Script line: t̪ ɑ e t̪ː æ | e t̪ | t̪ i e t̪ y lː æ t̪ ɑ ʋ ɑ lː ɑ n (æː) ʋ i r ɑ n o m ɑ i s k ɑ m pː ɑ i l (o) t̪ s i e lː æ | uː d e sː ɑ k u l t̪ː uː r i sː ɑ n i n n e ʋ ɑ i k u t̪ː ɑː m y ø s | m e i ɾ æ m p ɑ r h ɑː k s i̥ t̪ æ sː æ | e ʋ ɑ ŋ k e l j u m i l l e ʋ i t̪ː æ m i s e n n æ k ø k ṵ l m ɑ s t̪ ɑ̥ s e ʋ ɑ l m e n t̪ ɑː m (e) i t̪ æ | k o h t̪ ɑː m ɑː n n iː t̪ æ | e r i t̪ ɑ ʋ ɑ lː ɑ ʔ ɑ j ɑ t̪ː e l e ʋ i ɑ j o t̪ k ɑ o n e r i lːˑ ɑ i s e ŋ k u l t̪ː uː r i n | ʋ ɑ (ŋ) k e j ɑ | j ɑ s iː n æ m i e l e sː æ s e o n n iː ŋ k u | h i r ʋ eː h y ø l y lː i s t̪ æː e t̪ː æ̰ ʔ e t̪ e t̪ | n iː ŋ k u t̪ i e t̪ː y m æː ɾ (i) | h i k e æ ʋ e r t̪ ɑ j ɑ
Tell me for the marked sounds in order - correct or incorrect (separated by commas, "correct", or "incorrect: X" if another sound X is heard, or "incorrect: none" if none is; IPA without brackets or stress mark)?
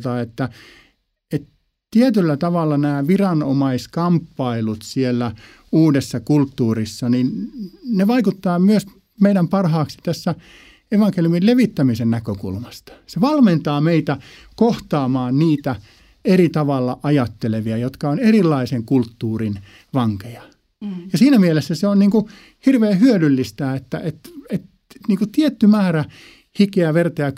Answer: correct, incorrect: u, correct, correct, incorrect: æ